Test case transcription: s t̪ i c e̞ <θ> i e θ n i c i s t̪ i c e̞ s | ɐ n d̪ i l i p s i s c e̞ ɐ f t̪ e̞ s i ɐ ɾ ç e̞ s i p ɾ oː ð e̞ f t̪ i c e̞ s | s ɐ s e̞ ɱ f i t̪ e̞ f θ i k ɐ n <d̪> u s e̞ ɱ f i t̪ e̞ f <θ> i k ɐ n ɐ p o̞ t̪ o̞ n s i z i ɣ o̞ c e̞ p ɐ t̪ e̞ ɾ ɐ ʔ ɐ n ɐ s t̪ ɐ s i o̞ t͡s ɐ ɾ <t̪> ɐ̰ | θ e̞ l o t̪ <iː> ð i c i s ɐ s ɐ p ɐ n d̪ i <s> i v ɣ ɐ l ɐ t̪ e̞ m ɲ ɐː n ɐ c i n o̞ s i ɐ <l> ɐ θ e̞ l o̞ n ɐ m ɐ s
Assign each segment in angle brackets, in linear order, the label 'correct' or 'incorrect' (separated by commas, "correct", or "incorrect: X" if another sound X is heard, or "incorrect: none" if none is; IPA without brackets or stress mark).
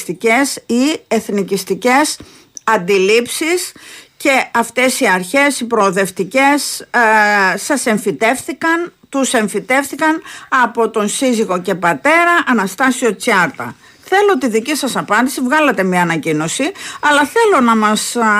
incorrect: s, incorrect: t̪, correct, correct, incorrect: i, correct, correct